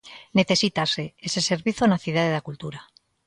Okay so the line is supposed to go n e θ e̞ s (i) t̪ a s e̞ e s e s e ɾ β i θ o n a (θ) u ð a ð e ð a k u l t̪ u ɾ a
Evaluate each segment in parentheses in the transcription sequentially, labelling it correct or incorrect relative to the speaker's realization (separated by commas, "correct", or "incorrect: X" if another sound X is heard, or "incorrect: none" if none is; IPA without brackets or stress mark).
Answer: correct, correct